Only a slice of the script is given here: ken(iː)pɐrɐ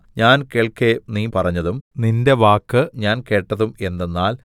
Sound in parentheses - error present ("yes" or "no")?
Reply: no